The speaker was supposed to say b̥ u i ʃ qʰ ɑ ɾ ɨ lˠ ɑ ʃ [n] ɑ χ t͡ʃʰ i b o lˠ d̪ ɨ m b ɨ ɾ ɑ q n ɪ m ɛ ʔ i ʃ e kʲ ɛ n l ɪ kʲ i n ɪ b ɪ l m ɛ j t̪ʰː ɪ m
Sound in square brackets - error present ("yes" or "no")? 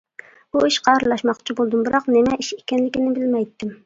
yes